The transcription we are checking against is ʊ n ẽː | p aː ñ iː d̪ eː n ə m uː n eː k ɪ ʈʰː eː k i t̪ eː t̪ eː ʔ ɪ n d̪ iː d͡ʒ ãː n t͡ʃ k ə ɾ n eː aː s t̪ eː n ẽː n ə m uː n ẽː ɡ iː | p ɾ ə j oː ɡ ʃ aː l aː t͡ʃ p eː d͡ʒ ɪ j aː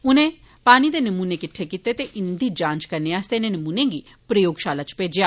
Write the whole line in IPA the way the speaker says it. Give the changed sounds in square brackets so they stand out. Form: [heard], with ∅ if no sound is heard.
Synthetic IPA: ʊ n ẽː | p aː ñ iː d̪ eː n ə m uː n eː k ɪ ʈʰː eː k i t̪ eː t̪ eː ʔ ɪ n d̪ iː d͡ʒ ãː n t͡ʃ k ə ɾ n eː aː s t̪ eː n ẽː n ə m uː n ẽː ɡ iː | p ɾ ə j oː ɡ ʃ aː l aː t͡ʃ p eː d͡ʒ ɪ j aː